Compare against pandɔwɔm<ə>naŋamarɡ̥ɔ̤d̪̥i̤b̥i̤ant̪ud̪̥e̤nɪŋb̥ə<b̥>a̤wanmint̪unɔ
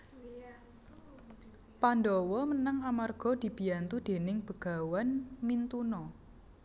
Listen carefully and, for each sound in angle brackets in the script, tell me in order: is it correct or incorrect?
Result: correct, incorrect: ɡ̥

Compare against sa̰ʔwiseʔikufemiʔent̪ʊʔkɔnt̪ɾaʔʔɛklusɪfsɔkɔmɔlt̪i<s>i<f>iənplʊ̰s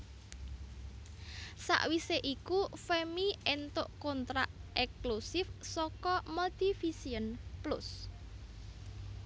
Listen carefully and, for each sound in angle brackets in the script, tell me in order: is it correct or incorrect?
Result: incorrect: f, incorrect: s

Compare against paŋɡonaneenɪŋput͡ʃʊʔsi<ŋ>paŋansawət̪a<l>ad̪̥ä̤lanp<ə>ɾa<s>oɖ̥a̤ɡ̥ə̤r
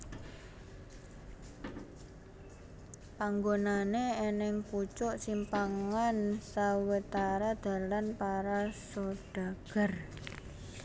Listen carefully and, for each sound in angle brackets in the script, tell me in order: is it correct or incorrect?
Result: incorrect: m, incorrect: ɾ, incorrect: a, correct

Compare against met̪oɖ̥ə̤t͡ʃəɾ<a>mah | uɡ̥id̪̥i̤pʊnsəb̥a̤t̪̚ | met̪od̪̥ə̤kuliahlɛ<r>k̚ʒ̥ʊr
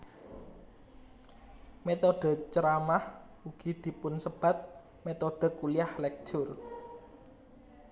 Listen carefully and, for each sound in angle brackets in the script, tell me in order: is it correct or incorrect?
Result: correct, incorrect: none

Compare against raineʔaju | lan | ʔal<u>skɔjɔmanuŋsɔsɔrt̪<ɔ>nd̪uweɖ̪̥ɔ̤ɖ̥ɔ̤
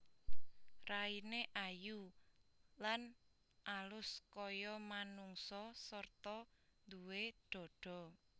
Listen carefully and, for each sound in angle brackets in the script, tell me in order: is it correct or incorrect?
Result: incorrect: ʊ, correct

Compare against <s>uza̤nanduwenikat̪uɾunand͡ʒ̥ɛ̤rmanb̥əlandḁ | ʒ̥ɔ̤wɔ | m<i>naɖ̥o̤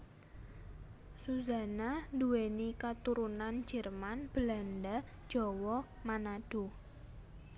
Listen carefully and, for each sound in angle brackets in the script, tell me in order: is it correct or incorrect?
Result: correct, incorrect: a

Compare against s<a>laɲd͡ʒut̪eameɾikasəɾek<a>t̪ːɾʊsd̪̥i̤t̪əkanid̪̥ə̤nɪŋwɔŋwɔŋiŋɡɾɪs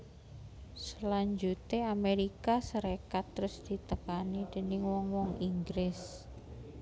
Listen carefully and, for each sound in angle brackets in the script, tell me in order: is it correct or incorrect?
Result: incorrect: ə, correct

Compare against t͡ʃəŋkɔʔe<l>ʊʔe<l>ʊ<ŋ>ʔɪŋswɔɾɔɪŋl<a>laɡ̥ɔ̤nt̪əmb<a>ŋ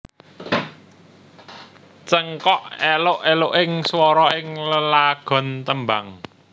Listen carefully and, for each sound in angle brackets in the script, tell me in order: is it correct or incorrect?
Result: correct, correct, incorrect: none, incorrect: ə, correct

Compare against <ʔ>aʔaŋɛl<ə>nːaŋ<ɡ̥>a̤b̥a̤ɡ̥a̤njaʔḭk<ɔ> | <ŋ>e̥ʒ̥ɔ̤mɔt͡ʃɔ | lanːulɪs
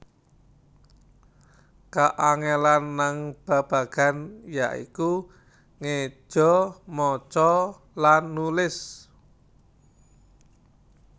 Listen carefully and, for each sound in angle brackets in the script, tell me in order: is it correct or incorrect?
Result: incorrect: k, incorrect: a, incorrect: b̥, incorrect: u, correct

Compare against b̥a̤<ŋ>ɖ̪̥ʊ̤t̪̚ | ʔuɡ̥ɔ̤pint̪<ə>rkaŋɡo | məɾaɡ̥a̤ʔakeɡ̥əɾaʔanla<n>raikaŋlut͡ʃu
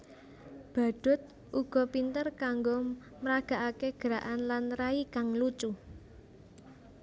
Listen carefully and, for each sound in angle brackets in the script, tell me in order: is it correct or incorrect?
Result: incorrect: none, correct, correct

